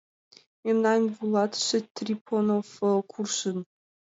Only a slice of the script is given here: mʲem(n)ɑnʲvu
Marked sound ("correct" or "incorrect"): correct